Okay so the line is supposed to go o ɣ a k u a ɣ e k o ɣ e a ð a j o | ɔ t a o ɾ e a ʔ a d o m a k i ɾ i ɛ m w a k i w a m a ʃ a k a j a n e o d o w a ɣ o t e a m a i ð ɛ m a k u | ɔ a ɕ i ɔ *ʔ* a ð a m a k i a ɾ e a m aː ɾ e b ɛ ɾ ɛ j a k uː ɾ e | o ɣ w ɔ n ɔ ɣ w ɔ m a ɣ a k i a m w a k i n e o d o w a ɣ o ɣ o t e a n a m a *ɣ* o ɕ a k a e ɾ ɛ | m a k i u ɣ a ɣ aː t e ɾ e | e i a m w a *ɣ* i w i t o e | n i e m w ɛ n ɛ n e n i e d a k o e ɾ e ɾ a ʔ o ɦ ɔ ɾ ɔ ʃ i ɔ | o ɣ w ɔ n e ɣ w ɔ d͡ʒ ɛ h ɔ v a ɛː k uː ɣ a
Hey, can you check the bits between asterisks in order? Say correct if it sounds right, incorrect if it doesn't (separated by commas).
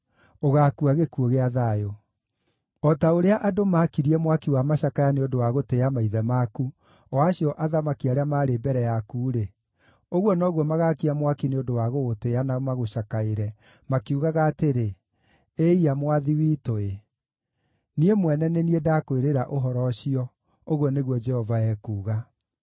correct, correct, incorrect